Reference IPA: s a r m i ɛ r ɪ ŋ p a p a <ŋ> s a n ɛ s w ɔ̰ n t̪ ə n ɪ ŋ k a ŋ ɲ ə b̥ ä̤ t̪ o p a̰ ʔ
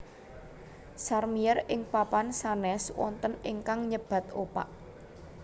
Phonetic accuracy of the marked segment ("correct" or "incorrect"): incorrect